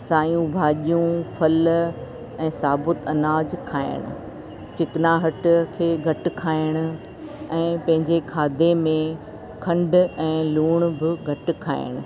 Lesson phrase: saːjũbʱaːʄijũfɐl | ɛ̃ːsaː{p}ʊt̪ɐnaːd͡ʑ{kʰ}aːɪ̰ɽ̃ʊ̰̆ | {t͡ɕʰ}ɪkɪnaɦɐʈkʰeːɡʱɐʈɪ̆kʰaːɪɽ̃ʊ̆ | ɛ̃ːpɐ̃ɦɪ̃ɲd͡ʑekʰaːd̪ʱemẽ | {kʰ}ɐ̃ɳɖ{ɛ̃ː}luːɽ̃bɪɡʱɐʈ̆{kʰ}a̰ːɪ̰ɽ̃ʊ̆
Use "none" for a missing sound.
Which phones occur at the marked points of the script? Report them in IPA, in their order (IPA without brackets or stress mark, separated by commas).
b, kʰ, t͡ɕ, kʰ, ɛ̃ː, kʰ